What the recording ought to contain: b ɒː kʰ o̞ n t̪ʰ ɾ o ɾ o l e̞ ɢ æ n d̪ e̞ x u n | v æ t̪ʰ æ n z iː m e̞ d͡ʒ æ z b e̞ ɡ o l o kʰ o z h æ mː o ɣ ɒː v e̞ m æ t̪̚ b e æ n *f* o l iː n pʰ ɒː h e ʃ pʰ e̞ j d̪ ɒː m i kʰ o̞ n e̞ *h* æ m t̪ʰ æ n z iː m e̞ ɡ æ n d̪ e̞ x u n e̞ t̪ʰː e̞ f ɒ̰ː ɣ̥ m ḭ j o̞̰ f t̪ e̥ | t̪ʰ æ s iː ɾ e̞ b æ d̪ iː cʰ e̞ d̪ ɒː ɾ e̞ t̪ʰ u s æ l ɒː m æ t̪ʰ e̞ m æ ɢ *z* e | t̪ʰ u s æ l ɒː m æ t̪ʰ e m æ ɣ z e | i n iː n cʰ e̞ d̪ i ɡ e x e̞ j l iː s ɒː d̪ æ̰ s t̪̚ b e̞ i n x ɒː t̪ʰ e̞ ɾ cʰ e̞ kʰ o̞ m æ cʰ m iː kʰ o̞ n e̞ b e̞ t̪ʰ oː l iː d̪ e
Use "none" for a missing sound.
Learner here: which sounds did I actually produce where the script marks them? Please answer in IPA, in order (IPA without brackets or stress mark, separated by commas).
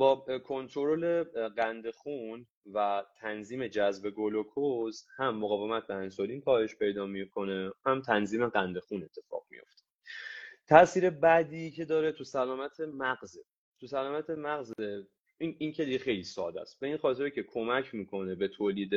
s, h, z